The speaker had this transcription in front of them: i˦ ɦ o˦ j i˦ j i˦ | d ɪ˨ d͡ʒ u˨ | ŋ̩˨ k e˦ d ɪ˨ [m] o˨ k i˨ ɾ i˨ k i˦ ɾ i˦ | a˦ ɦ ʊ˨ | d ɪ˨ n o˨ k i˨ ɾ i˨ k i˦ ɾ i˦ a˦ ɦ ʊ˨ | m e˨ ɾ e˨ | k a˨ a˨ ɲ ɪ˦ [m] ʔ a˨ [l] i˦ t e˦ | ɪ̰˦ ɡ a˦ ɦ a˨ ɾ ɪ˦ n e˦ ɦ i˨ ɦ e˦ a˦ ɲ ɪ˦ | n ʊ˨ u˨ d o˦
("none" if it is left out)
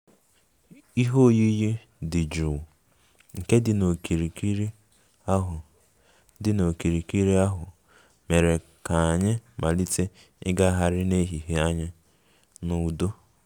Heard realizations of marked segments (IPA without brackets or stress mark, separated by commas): n, m, l